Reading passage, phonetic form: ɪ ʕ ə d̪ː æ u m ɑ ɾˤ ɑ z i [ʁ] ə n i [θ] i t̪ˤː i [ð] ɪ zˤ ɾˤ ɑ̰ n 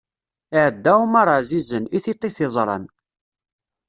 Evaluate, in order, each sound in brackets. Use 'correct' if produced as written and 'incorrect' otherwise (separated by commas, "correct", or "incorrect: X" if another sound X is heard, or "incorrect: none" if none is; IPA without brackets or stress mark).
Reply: incorrect: z, correct, incorrect: θ